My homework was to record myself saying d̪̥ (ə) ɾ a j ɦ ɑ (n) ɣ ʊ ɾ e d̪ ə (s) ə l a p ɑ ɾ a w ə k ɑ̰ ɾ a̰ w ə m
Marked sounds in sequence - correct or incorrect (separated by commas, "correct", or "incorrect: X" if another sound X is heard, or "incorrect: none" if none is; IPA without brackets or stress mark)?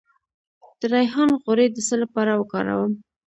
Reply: correct, correct, correct